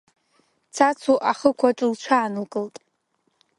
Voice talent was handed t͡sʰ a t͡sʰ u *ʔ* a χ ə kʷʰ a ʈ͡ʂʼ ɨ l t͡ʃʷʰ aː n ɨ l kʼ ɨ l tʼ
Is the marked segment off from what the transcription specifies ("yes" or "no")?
no